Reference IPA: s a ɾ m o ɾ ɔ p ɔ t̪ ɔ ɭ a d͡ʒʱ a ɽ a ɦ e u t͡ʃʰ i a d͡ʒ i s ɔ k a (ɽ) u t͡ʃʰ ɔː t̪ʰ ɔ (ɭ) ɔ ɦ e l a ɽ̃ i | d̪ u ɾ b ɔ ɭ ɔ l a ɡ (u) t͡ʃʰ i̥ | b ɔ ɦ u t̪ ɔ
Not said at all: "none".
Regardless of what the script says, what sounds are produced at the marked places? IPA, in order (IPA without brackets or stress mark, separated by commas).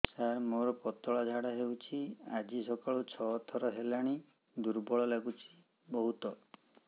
ɭ, ɾ, u